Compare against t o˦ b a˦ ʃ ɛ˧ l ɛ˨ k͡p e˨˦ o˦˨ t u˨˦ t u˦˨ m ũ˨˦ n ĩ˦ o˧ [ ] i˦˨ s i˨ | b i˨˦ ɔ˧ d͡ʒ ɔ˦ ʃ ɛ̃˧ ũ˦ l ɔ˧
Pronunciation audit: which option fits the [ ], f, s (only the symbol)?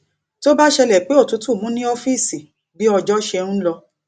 f